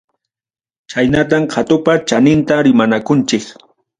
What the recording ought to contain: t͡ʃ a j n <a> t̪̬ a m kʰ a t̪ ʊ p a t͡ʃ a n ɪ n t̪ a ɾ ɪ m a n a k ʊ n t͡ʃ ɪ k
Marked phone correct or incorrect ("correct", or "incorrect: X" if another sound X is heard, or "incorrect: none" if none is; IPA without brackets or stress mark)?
correct